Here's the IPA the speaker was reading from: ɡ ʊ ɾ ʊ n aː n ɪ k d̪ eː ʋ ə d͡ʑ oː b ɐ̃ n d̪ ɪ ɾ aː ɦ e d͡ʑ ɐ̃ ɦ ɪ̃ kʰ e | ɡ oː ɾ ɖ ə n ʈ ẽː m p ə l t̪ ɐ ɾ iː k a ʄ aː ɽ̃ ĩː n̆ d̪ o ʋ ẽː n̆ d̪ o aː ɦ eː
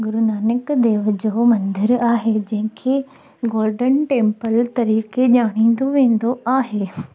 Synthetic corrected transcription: ɡ ʊ ɾ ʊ n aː n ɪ k d̪ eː ʋ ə d͡ʑ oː m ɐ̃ n d̪ ɪ ɾ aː ɦ e d͡ʑ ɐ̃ ɦ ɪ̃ kʰ e | ɡ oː ɾ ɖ ə n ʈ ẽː m p ə l t̪ ɐ ɾ iː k e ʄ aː ɽ̃ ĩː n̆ d̪ o ʋ ẽː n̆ d̪ o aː ɦ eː